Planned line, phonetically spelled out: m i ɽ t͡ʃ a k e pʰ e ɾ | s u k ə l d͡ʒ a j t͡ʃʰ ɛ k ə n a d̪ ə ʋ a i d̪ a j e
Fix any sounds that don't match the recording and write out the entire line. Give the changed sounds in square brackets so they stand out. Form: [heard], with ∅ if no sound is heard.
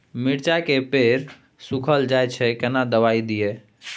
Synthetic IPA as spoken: m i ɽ t͡ʃ a k e [p] e ɾ | s u [kʰ] ə l d͡ʒ a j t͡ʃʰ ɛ k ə n a d̪ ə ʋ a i d̪ [i] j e